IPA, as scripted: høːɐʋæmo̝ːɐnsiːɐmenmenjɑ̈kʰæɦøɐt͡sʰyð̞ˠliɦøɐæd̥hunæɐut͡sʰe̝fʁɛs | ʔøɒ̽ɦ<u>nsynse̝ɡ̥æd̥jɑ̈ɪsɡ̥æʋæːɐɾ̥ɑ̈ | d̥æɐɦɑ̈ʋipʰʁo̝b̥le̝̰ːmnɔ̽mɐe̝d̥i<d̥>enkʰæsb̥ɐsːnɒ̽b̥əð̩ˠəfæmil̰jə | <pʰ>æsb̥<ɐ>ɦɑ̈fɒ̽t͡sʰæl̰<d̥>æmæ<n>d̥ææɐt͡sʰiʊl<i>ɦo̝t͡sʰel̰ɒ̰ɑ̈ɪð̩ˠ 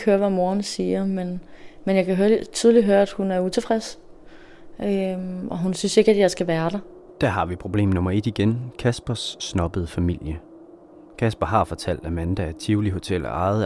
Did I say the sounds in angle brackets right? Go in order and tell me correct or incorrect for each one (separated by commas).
correct, incorrect, incorrect, correct, correct, correct, correct